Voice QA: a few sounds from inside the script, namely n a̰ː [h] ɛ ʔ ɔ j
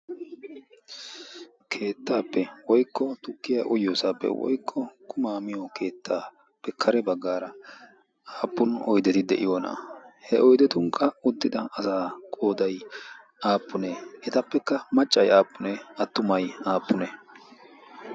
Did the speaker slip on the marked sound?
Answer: no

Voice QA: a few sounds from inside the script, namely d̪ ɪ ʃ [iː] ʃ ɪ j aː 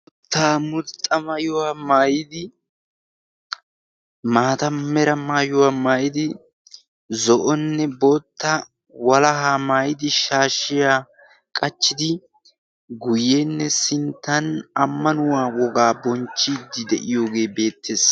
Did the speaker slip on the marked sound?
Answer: yes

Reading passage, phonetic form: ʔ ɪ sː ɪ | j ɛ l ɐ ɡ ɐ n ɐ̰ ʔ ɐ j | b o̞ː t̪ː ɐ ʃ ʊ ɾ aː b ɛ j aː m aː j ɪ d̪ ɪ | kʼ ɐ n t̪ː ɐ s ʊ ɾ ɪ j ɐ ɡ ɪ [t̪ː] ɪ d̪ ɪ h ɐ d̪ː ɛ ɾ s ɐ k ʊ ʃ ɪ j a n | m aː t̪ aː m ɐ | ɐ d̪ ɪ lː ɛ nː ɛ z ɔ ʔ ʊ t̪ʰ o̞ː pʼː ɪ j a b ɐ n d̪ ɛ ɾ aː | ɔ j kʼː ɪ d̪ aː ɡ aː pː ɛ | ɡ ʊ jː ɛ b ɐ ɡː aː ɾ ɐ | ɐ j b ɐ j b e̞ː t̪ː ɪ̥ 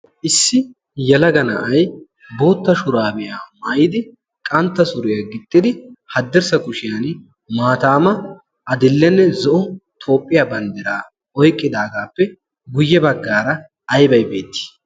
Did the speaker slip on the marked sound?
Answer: yes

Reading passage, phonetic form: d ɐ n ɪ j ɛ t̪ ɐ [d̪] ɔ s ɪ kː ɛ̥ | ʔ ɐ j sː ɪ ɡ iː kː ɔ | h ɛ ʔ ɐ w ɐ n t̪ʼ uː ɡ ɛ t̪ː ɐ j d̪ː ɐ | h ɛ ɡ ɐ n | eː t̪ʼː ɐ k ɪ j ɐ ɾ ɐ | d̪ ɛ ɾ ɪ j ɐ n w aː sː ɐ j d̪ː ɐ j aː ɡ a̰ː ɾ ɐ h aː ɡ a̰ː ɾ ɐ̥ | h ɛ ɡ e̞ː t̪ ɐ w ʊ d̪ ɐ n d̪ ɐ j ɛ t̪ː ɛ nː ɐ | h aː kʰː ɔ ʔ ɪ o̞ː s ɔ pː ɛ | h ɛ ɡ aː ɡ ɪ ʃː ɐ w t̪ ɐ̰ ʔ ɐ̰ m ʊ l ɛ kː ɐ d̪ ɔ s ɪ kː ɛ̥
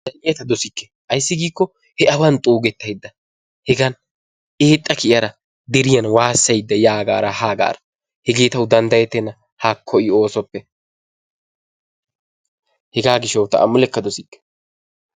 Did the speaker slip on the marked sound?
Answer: no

